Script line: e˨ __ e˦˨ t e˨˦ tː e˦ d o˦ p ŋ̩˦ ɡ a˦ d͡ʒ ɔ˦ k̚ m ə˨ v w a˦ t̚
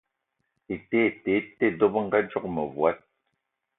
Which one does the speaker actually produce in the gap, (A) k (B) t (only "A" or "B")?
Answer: B